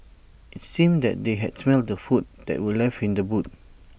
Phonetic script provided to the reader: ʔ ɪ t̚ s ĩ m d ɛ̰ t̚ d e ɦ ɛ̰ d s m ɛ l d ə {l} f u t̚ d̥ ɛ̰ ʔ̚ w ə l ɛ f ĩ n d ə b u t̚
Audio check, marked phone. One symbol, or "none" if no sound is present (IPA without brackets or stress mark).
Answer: none